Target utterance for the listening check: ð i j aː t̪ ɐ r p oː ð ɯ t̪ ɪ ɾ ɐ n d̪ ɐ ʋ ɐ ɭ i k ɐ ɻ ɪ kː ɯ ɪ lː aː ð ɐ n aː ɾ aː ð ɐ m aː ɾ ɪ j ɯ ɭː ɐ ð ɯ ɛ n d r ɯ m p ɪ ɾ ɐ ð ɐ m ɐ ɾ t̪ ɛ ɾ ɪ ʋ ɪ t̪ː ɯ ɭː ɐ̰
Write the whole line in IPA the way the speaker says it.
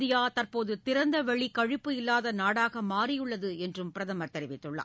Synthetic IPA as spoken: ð ɪ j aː t̪ ɐ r p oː ð ɯ t̪ ɪ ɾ ɐ n d̪ ɐ ʋ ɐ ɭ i k ɐ ɻ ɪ pː ɯ ɪ lː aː ð ɐ n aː ɽ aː ɣ ɐ m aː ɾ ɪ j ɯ ɭː ɐ ð ɯ ɛ n d r ɯ m p ɪ ɾ ɐ ð ɐ m ɐ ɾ t̪ ɛ ɾ ɪ ʋ ɪ t̪ː ɯ ɭː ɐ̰